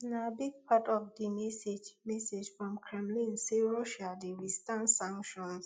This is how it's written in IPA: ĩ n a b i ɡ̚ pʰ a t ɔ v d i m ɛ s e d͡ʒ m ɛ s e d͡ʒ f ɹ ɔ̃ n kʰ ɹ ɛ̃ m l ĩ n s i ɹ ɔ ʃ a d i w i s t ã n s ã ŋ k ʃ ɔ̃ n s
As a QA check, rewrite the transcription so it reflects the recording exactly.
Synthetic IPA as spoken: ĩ n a b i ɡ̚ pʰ a t ɔ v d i m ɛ s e d͡ʒ m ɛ s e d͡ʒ f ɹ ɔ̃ m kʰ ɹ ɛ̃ m l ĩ n s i ɹ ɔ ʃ a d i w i s t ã n s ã ŋ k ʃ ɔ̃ n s

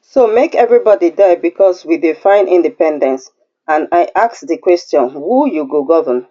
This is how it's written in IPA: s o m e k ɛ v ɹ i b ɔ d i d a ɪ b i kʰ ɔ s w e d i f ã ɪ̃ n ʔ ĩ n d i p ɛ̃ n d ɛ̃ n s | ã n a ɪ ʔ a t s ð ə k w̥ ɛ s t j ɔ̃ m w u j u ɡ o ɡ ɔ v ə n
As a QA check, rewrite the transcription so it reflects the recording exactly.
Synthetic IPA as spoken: s o m e k ɛ v ɹ i b ɔ d i d a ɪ b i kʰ ɔ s w i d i f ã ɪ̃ n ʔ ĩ n d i p ɛ̃ n d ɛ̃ n s | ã n a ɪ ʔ a k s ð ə k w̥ ɛ s t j ɔ̃ n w u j u ɡ o ɡ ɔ v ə n

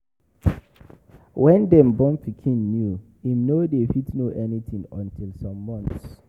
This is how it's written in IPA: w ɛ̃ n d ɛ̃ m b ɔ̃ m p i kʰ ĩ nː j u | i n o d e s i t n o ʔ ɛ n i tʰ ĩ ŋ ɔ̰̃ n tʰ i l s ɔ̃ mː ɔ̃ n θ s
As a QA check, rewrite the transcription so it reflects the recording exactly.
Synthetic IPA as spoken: w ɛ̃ n d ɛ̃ m b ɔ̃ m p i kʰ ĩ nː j u | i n o d e f i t n o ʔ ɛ n i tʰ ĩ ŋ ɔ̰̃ n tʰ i l s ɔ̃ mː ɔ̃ n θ s

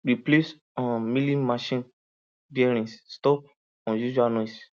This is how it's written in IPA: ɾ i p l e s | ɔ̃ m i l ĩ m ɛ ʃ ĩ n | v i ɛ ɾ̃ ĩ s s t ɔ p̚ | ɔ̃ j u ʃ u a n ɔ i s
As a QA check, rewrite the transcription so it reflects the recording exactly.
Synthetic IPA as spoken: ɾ i p l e s | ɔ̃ m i l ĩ m a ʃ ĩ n | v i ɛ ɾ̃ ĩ s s t ɔ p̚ | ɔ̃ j u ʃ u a n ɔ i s

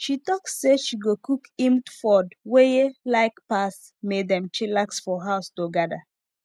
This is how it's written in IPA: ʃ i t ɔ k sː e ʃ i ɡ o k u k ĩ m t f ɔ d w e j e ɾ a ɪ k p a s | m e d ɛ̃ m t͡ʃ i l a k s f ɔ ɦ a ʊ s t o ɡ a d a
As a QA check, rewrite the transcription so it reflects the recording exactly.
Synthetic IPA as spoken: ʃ i t ɔ k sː e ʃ i ɡ o k u k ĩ m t f ɔ d w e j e l a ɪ k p a s | m e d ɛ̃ m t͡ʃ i l a k s f ɔ ɦ a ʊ s t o ɡ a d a

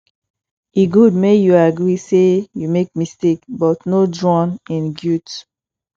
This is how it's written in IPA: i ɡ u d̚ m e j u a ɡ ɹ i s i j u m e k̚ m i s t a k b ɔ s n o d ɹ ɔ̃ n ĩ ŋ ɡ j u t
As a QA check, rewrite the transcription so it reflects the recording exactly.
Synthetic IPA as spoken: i ɡ u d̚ m e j u a ɡ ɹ i s e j u m e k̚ m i s t e k b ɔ t n o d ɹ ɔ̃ n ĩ n ɡ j u t

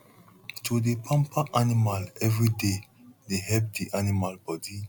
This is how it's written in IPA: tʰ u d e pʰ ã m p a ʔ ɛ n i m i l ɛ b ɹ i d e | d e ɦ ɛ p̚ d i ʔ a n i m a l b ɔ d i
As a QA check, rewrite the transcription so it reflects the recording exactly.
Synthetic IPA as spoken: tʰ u d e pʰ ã m p a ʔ a n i m a l ɛ v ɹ i d e | d e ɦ ɛ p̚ d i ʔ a n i m a l b ɔ d i

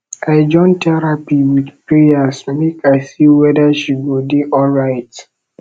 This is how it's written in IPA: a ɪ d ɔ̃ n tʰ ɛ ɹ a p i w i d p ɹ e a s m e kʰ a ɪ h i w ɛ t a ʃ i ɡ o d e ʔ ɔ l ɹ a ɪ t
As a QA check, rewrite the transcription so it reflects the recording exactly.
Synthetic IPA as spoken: a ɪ d͡ʒ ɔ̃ n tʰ ɛ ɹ a p i w i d p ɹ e a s m e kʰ a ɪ s i w ɛ d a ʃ i ɡ o d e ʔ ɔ l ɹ a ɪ t

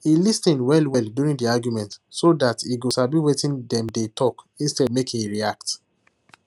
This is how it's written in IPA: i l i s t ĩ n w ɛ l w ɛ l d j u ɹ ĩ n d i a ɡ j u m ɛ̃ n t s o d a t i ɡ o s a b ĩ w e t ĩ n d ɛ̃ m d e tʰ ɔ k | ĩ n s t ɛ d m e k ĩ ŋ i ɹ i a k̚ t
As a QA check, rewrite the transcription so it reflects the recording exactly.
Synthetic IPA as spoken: i l i s t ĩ n w ɛ l w ɛ l d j u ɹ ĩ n d i a ɡ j u m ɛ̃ n t s o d a t i ɡ o s a b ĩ w e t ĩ n d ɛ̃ m d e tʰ ɔ k | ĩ n s t ɛ d m e k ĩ ŋ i ɹ i a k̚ t

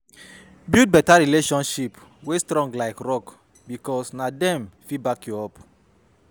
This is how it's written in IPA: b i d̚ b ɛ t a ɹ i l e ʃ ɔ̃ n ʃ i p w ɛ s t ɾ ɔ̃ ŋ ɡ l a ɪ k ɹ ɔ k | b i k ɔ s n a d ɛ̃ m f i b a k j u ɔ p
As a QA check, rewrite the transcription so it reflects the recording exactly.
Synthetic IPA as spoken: b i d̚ b ɛ t a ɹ i l e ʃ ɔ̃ n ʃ i p w e s t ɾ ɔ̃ ŋ ɡ l a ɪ k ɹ ɔ k | b i k ɔ s n a d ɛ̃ m f i b a k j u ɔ p

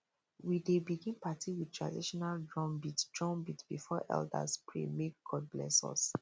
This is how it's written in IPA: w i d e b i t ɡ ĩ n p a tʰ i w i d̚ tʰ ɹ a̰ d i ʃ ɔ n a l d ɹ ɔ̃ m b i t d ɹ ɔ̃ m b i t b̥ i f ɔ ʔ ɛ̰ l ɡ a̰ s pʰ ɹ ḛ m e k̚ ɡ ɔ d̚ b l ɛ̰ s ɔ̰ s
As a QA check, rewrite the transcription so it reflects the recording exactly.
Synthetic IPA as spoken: w i d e b i ɡ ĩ n p a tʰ i w i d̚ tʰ ɹ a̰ d i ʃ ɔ n a l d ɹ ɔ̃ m b i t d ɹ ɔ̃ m b i t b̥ i f ɔ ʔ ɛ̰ l d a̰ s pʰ ɹ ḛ m e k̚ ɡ ɔ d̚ b l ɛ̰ s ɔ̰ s

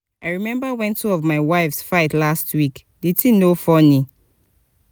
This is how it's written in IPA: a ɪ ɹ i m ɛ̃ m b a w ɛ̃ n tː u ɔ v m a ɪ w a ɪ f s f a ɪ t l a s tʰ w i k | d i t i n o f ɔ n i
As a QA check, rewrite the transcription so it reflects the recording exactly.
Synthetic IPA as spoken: a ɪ ɹ i m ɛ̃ m b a w ɛ̃ n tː u ɔ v m a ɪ w a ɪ f s f a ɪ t l a s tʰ w i k | d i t i n o f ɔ n i

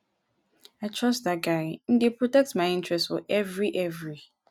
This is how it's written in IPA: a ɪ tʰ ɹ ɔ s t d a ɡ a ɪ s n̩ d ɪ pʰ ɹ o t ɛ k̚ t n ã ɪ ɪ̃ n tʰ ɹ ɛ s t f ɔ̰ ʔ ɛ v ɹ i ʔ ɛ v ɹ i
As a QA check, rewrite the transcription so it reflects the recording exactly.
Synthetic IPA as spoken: a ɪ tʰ ɹ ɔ s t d a ɡ a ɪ n̩ d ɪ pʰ ɹ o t ɛ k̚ t m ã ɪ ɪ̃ n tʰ ɹ ɛ s t f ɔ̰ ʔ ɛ v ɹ i ʔ ɛ v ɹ i

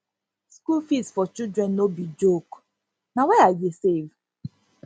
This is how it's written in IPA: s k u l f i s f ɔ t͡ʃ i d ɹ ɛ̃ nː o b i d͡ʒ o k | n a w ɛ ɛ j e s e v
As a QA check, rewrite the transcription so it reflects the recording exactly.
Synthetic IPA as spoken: s k u l f i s f ɔ t͡ʃ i d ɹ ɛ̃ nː o b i d͡ʒ o k | n a w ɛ a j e s e v

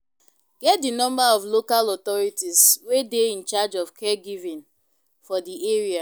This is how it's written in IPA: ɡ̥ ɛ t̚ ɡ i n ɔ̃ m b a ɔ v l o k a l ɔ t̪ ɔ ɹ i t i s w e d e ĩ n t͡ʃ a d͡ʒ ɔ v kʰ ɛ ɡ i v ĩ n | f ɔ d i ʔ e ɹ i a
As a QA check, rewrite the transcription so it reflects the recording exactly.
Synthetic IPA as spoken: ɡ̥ ɛ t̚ d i n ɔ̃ m b a ɔ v l o k a l ɔ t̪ ɔ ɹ i t i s w e d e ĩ n t͡ʃ a d͡ʒ ɔ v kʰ ɛ ɡ i v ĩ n | f ɔ d i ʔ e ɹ i a

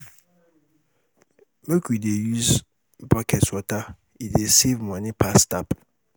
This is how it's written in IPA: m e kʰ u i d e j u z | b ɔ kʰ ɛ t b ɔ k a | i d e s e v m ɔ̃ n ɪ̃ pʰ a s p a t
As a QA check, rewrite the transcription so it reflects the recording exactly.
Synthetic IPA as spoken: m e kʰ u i d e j u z | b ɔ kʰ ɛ t w ɔ t a | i d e s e v m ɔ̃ n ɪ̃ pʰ a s t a p

